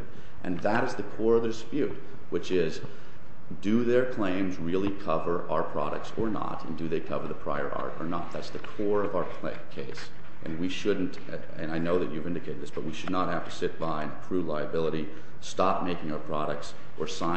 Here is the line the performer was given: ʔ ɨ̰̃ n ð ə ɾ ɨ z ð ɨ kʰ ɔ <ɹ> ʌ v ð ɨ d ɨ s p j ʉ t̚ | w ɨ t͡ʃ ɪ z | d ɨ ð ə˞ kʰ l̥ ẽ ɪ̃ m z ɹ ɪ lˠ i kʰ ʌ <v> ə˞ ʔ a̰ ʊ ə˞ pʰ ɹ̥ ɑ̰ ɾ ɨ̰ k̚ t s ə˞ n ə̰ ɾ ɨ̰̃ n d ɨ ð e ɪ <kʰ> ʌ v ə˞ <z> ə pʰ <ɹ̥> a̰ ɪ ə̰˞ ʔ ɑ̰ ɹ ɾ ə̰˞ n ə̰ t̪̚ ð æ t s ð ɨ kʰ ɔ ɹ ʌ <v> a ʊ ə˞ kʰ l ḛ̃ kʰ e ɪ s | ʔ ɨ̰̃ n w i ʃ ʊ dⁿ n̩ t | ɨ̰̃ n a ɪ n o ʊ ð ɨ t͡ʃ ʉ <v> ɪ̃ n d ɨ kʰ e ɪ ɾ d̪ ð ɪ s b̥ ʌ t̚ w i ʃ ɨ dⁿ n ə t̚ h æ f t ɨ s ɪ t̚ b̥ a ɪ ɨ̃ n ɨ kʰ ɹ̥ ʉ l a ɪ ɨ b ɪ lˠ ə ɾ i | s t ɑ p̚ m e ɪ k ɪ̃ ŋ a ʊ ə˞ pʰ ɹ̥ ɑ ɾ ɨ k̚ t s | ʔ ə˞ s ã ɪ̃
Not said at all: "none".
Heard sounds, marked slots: ɹ, v, kʰ, ð, ɹ̥, v, v

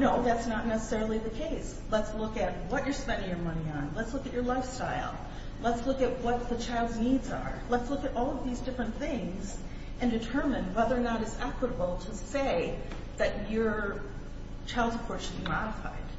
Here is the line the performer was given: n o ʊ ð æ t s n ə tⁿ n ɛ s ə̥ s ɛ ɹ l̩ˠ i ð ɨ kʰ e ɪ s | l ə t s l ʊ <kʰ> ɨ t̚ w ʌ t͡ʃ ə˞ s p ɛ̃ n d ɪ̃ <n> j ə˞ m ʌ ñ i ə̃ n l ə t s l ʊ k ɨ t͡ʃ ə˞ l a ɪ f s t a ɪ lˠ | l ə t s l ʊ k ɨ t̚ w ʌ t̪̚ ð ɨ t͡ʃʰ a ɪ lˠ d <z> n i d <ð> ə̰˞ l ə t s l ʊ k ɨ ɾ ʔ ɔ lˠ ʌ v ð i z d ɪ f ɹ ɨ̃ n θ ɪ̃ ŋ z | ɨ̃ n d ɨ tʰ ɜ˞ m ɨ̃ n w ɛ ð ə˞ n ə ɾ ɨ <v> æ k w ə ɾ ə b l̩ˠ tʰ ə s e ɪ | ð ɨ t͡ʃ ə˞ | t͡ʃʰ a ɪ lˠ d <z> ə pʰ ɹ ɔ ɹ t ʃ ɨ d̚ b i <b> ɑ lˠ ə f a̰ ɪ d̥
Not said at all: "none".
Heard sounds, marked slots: k, ŋ, z, z, z, z, m

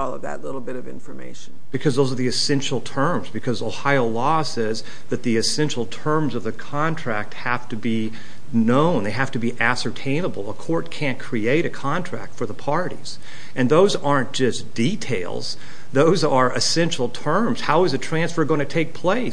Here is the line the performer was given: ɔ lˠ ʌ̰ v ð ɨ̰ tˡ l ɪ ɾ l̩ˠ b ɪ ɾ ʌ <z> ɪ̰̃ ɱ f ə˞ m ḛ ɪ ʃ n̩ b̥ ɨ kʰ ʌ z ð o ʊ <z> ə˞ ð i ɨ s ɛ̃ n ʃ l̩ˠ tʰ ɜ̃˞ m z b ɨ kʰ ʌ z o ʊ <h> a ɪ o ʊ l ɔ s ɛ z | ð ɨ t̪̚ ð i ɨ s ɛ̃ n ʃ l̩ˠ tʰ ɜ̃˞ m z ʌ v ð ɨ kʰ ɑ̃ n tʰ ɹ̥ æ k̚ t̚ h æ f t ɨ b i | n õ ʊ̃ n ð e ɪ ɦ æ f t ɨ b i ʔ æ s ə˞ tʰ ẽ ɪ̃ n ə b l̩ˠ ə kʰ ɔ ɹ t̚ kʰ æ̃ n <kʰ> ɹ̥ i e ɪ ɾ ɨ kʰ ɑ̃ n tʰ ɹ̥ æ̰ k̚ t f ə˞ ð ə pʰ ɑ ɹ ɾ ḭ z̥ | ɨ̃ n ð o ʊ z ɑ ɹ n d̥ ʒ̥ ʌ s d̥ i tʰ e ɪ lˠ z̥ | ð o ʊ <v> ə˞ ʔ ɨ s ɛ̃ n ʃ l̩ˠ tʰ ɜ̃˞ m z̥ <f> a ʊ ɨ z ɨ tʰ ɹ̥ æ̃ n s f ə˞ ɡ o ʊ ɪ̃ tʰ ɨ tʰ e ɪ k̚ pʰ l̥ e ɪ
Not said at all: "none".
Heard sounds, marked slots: v, z, h, kʰ, z, h

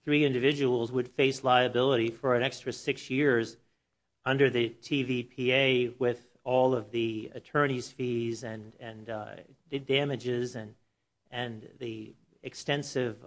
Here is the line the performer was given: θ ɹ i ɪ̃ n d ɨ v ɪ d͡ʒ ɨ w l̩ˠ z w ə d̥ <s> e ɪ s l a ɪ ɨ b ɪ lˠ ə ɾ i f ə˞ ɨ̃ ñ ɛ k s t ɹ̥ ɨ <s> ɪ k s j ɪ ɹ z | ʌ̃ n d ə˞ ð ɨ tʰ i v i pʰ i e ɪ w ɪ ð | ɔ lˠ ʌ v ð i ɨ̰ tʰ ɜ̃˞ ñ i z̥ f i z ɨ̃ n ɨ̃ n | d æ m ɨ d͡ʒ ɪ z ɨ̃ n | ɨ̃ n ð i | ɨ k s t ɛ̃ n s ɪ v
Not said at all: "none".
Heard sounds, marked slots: f, s

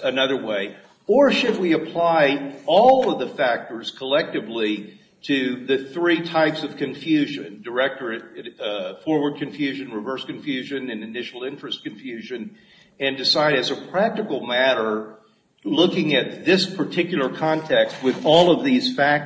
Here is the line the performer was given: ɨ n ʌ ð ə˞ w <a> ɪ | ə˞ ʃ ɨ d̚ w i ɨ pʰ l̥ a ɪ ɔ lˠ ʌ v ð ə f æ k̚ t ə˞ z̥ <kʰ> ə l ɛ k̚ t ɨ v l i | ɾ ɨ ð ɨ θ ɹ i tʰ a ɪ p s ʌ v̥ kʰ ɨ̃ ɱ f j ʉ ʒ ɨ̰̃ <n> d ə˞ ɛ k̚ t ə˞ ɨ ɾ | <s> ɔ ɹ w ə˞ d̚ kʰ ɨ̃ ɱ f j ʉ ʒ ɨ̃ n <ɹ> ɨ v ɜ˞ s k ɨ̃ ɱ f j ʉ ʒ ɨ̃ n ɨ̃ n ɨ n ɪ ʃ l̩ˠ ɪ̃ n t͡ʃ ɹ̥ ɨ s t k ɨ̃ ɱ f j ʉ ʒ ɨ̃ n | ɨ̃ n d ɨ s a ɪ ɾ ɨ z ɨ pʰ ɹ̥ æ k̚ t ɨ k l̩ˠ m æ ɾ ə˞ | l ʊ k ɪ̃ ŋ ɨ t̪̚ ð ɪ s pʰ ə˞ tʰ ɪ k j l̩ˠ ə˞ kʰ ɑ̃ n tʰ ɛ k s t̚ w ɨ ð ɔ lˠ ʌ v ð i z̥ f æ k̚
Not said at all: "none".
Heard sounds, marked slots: e, kʰ, n, f, ɹ

